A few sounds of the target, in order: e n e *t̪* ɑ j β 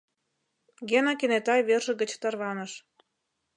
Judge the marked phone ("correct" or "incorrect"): correct